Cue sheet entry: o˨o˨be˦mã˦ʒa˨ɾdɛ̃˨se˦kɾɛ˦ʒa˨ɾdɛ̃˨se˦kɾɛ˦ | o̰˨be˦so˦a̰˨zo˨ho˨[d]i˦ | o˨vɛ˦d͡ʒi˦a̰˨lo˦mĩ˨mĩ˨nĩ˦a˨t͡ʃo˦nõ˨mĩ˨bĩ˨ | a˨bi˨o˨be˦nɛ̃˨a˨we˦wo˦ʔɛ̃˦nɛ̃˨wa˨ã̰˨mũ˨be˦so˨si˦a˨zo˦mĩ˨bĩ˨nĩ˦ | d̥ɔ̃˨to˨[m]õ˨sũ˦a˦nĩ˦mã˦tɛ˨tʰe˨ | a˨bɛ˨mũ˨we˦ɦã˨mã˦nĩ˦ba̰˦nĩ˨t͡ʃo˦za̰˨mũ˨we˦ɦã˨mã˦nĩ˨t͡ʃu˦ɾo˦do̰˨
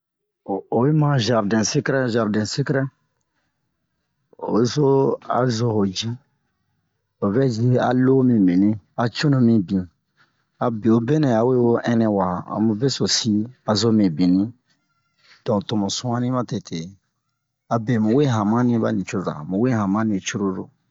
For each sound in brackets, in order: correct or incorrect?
incorrect: d͡ʒ, correct

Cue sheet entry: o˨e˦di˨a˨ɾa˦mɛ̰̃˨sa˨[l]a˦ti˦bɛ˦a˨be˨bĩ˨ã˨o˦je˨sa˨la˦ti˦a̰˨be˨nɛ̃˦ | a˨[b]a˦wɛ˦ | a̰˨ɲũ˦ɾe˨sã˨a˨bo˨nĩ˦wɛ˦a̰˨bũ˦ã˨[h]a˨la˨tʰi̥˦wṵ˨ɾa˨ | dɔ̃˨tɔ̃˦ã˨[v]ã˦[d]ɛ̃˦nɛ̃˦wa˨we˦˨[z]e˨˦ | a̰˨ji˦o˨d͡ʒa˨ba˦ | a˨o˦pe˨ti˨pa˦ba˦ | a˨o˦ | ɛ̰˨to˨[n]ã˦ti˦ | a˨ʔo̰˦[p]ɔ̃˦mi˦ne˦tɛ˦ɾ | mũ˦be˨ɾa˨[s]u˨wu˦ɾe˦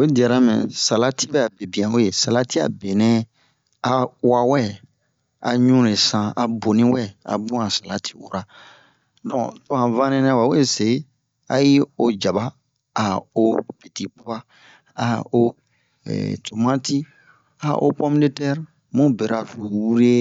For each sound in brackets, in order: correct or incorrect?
correct, incorrect: w, incorrect: s, correct, incorrect: n, incorrect: s, incorrect: m, correct, incorrect: f

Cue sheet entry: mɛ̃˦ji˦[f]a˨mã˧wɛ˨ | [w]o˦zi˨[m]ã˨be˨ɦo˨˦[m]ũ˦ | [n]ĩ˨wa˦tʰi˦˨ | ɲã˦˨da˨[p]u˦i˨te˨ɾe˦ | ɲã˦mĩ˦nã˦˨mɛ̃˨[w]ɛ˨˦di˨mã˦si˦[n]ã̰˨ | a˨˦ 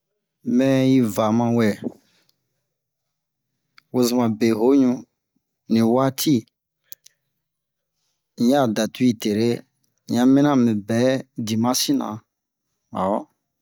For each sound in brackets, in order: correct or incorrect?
incorrect: v, correct, correct, incorrect: ɲ, correct, incorrect: t, incorrect: b, correct

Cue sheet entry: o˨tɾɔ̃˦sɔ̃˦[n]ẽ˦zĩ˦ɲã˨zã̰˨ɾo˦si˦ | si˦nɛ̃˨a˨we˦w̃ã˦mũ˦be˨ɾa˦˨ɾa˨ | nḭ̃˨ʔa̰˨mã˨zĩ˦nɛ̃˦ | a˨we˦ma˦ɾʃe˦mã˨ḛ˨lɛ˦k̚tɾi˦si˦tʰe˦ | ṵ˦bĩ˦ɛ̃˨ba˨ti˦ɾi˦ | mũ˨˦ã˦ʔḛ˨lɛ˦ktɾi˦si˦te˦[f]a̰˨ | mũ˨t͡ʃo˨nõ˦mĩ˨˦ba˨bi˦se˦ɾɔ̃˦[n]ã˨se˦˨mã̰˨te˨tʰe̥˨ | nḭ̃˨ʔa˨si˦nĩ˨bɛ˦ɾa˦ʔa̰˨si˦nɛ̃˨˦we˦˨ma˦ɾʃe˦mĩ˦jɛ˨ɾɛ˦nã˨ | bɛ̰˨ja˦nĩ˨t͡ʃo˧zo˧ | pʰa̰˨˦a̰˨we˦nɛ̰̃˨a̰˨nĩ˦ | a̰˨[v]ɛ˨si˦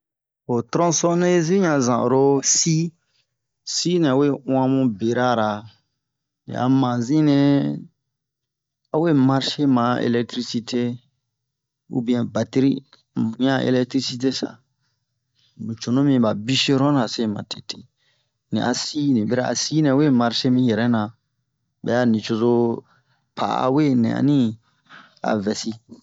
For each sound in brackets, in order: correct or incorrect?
correct, incorrect: s, correct, correct

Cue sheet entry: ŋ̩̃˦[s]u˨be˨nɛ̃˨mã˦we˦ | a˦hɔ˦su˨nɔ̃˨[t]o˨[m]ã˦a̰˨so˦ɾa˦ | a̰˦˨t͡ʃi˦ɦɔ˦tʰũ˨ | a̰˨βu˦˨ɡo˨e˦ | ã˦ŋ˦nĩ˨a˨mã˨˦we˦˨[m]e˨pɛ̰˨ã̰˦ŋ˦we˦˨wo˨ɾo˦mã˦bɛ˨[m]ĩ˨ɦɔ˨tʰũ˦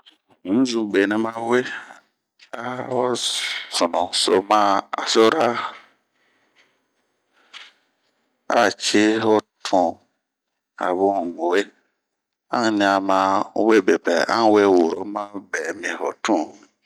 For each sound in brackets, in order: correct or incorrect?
incorrect: z, incorrect: s, correct, incorrect: b, correct

